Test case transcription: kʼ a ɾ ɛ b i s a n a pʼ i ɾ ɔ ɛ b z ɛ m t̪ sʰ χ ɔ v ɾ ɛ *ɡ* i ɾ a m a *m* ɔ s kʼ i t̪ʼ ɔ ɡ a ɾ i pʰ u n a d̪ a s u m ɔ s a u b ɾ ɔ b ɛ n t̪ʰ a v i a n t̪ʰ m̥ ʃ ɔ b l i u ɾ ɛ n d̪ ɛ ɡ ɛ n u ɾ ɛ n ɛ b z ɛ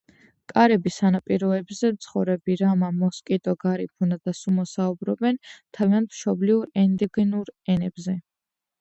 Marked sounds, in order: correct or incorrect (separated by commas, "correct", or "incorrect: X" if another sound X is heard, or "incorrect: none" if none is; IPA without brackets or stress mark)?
incorrect: b, correct